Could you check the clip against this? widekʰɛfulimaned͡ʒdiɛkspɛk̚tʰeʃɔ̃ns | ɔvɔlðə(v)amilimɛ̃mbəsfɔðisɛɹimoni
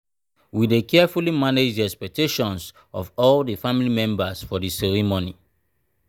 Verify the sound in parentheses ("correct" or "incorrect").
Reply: incorrect